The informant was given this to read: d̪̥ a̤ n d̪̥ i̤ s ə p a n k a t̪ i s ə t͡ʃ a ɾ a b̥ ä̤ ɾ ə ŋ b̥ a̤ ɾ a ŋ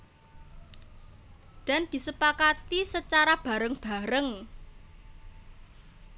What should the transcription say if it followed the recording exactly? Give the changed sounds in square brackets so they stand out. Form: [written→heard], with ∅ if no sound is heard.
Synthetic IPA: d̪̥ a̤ n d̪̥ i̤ s ə p a [n→∅] k a t̪ i s ə t͡ʃ a ɾ a b̥ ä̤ ɾ ə ŋ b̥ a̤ ɾ [a→ə] ŋ